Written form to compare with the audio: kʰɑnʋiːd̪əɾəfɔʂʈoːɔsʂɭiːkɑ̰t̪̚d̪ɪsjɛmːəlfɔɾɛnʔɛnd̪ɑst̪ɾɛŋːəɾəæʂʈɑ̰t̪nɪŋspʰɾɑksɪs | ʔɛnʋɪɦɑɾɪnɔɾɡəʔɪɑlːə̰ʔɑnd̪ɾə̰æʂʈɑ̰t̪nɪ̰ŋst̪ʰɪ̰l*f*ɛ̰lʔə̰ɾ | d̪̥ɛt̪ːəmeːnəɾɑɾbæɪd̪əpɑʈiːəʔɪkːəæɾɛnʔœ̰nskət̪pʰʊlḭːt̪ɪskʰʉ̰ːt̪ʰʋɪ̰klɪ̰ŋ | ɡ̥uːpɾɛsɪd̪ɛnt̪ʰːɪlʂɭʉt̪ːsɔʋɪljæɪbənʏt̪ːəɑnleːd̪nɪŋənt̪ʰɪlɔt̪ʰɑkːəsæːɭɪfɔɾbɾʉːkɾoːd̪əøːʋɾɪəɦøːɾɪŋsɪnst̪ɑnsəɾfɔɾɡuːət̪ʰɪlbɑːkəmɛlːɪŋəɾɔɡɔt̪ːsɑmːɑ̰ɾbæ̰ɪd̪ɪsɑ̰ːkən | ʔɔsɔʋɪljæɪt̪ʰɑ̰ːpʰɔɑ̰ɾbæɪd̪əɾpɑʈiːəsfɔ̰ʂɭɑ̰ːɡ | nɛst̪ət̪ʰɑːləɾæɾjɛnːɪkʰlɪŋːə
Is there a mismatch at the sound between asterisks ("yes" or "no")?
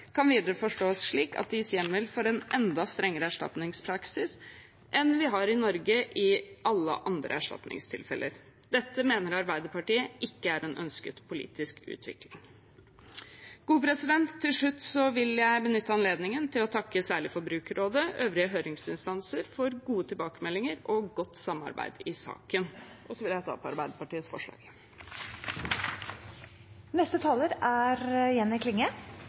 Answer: no